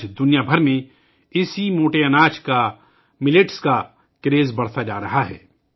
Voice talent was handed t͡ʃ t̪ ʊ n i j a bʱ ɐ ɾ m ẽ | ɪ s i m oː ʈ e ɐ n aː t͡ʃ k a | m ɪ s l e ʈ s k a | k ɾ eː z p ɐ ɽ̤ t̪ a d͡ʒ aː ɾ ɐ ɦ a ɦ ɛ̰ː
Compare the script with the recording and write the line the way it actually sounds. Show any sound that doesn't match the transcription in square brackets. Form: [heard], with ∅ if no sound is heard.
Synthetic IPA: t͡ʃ [d̪] ʊ n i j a bʱ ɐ ɾ m ẽ | ɪ s i m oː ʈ e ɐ n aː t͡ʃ k a | m ɪ [∅] l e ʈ s k a | k ɾ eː z [b] ɐ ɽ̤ t̪ a d͡ʒ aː ɾ ɐ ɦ a ɦ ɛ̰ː